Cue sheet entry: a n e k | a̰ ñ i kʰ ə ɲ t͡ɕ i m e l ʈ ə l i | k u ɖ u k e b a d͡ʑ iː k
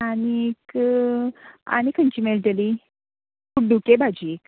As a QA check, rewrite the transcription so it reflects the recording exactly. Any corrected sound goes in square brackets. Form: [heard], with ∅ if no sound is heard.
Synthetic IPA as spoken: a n [i] k | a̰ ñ i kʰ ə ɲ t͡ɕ i m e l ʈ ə l i | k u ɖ u k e b a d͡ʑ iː k